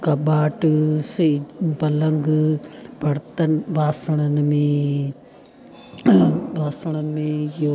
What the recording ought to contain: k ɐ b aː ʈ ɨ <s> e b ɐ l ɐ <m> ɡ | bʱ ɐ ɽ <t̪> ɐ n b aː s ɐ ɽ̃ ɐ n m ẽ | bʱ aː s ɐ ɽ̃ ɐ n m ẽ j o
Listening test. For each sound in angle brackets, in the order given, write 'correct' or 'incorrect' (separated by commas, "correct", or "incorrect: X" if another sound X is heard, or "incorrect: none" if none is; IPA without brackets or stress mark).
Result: correct, incorrect: ŋ, correct